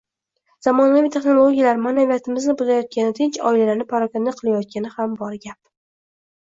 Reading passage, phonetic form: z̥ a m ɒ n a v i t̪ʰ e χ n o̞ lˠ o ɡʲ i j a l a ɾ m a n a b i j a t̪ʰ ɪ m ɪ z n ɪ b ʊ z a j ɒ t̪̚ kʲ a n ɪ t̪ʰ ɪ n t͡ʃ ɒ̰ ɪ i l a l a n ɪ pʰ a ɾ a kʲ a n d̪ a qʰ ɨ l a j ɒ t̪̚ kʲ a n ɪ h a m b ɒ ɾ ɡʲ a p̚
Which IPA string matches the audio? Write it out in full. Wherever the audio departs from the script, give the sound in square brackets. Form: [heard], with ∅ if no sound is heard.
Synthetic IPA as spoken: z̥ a m ɒ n a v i t̪ʰ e χ n o̞ lˠ o ɡʲ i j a l a ɾ m a n a [v] i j a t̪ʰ ɪ m ɪ z n ɪ b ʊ z a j ɒ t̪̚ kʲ a n ɪ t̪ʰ ɪ n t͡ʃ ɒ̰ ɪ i l a l a n ɪ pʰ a ɾ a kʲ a n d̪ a qʰ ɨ l a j ɒ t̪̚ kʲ a n ɪ h a m b ɒ ɾ ɡʲ a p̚